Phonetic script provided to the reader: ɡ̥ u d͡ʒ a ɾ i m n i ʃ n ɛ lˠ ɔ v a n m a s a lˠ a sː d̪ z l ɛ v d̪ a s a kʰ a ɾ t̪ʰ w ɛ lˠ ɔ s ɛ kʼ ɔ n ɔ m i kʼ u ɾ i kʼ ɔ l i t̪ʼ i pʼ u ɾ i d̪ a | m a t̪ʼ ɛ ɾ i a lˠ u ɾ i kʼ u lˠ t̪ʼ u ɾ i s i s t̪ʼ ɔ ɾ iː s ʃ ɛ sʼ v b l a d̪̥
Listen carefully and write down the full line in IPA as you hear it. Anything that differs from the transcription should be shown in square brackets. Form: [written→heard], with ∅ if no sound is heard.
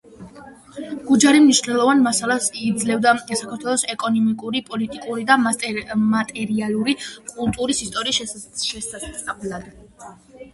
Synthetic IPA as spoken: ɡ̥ u d͡ʒ a ɾ i m n i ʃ n ɛ lˠ ɔ v a n m a s a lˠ a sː d̪ z l ɛ v d̪ a s a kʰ a ɾ t̪ʰ w ɛ lˠ ɔ s ɛ kʼ ɔ n ɔ m i kʼ u ɾ i [kʼ→pʼ] ɔ l i t̪ʼ i [pʼ→kʼ] u ɾ i d̪ a | m a t̪ʼ ɛ ɾ i a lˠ u ɾ i kʼ u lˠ t̪ʼ u ɾ i s i s t̪ʼ ɔ ɾ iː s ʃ ɛ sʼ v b l a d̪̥